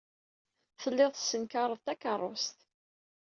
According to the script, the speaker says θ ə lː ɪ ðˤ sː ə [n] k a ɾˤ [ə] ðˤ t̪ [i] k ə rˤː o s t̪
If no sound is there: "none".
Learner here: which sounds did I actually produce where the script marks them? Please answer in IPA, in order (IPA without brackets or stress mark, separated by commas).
n, ə, æ